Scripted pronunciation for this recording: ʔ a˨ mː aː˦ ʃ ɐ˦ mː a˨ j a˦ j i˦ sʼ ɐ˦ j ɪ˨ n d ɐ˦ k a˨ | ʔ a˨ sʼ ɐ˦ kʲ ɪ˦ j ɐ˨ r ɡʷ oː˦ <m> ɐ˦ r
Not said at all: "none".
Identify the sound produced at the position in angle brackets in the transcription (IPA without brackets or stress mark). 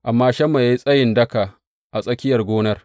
n